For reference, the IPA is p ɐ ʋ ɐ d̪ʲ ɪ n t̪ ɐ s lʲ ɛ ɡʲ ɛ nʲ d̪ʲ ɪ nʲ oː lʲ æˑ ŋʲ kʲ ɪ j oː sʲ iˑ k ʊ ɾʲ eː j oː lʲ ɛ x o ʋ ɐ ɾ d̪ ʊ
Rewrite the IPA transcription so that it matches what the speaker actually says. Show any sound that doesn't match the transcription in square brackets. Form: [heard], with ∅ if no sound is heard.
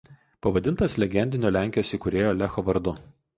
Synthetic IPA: p ɐ ʋ ɐ d̪ʲ ɪ n t̪ ɐ s lʲ ɛ ɡʲ ɛ nʲ d̪ʲ ɪ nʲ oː lʲ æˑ ŋʲ kʲ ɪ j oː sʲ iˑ k ʊ ɾʲ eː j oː lʲ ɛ x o ʋ ɐ ɾ d̪ ʊ